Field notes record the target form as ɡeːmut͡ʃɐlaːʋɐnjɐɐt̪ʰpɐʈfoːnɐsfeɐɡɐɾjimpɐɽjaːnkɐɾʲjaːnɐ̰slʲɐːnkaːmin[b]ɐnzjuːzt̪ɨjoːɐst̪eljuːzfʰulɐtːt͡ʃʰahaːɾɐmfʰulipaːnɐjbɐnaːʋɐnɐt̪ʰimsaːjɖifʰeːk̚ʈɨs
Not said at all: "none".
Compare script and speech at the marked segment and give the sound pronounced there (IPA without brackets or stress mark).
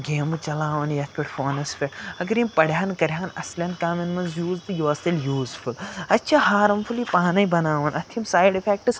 m